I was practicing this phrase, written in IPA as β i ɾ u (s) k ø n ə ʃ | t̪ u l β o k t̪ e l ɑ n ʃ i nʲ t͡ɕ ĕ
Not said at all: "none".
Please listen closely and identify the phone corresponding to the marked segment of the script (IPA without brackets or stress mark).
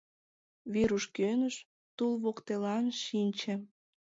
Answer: ʃ